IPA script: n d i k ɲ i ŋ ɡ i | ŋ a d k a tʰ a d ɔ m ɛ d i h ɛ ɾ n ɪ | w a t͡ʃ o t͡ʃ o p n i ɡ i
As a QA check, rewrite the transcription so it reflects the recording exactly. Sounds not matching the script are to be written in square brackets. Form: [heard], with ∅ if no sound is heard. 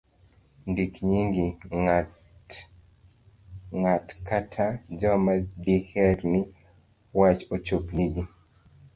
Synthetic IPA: n d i k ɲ i ŋ ɡ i | ŋ a [t] k a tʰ a [d͡ʒ] ɔ m [a] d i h ɛ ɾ n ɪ | w a t͡ʃ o t͡ʃ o p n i ɡ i